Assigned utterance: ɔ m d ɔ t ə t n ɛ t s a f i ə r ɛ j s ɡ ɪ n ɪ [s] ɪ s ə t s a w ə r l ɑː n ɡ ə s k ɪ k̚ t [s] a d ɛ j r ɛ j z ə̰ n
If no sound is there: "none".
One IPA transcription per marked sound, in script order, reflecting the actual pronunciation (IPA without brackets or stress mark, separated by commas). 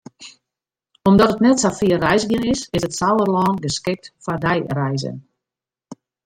s, f